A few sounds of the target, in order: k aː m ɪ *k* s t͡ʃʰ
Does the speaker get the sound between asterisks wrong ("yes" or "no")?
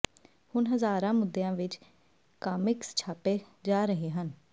no